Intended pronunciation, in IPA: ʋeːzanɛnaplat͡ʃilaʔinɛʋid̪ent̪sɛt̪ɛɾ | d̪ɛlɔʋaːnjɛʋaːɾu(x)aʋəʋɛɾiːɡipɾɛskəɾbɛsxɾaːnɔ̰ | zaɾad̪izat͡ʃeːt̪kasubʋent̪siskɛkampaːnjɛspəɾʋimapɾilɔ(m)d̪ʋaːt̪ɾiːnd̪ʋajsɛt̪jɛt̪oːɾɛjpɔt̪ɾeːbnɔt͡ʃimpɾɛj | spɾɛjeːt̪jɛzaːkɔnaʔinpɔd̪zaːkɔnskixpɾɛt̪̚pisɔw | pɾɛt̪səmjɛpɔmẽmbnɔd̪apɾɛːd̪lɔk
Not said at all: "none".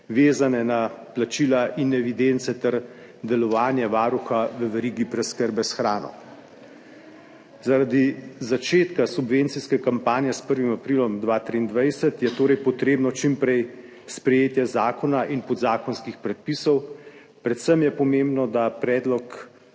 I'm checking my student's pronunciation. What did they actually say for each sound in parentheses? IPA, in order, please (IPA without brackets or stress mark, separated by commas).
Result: x, m